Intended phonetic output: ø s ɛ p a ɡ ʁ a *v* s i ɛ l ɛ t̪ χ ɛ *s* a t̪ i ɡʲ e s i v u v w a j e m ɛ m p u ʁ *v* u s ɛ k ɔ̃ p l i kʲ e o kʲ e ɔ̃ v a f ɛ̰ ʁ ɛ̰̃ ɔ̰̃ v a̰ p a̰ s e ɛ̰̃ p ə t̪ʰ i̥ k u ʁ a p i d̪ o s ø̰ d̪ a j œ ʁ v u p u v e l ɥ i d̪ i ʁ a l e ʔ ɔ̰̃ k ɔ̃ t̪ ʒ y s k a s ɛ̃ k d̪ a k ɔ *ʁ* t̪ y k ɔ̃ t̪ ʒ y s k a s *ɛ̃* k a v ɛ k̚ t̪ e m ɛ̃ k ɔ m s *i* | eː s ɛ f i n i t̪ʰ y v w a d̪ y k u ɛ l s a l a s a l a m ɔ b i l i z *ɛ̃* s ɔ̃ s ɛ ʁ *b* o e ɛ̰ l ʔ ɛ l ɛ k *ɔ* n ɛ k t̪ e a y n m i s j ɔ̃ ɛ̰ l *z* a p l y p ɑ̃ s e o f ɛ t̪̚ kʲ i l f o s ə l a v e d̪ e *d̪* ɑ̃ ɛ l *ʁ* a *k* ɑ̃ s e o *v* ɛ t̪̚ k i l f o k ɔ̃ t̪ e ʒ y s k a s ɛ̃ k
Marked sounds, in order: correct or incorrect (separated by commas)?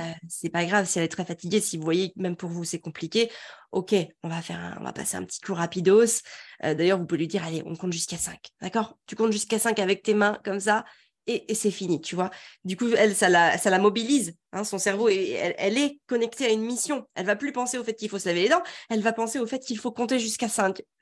correct, incorrect, correct, correct, correct, incorrect, correct, incorrect, correct, incorrect, correct, incorrect, incorrect, incorrect